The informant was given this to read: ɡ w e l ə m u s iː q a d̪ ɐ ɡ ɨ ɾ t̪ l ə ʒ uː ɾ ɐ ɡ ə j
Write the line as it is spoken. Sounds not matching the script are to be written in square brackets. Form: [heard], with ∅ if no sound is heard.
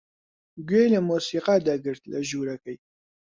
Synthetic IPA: ɡ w e l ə m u s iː q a d̪ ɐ ɡ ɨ ɾ t̪ l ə ʒ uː ɾ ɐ [k] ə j